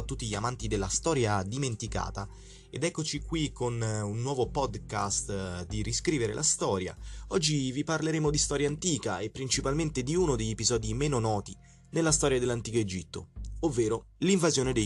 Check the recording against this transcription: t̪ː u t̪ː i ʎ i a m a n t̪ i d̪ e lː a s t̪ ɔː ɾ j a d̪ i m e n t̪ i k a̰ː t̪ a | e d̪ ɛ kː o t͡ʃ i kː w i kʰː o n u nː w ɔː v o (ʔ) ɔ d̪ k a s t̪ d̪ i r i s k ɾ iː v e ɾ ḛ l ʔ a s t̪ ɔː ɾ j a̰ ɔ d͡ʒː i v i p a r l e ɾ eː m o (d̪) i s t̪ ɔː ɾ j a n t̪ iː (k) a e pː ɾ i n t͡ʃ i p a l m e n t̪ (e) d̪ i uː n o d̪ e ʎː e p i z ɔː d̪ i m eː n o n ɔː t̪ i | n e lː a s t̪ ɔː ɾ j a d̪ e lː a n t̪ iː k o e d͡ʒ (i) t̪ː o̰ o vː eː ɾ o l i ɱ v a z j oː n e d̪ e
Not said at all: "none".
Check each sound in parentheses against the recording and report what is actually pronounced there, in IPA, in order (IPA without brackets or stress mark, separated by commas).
p, d̪, k, e, i